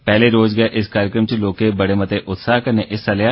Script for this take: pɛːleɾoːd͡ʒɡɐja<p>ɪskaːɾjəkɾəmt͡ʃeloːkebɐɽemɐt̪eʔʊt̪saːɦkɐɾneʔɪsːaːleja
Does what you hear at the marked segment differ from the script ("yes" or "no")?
yes